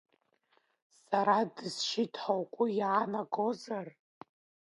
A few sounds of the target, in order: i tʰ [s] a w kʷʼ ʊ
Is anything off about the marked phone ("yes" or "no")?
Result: yes